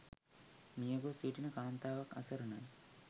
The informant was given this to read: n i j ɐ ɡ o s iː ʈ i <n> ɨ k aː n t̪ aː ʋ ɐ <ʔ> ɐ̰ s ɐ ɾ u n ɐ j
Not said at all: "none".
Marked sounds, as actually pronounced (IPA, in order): n, k

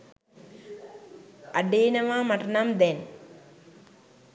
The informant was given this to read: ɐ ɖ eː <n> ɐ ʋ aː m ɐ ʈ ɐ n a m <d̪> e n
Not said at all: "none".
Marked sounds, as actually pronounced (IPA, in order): n, d̪

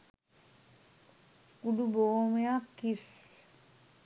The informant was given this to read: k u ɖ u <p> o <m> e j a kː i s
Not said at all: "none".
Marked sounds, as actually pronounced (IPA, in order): b, m

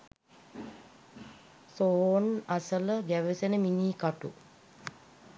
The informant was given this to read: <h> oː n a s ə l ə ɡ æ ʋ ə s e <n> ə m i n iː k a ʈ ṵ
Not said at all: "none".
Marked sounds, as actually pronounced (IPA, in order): s, n

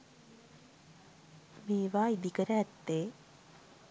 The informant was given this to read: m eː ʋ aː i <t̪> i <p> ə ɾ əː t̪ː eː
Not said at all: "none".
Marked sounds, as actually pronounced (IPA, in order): d̪, k

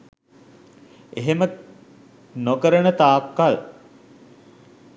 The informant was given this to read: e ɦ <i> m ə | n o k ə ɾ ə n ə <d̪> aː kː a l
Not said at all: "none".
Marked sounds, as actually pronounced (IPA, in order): e, t̪

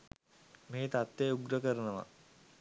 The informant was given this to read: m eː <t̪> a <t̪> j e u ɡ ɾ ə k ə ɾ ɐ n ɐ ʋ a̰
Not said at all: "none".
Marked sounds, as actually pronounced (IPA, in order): t̪, t̪

